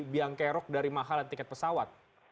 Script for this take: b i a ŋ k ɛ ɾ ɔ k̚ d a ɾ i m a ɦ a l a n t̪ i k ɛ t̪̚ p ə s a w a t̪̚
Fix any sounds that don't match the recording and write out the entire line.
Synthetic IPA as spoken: b i a ŋ k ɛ ɾ ɔ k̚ d a ɾ i m a ɦ a l a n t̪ i k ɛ t̪̚ p ə s a w a t̪̚